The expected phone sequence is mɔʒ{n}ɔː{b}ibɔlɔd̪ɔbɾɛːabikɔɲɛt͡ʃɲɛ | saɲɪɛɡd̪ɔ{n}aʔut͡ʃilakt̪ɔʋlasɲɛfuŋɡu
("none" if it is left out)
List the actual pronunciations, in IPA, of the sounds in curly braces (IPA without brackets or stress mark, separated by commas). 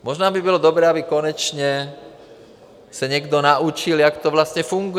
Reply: n, b, n